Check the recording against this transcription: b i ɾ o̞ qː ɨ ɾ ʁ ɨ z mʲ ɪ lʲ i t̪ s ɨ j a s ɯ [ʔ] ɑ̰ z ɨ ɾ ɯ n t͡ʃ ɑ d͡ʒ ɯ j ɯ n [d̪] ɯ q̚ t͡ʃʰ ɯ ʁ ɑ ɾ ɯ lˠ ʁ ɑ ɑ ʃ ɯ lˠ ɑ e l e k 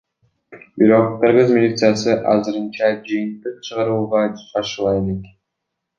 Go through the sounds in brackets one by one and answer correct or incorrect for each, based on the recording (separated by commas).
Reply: correct, incorrect